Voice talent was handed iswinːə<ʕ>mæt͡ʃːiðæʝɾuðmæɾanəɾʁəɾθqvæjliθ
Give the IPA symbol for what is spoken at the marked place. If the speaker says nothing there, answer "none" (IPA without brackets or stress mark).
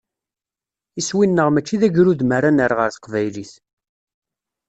ʁ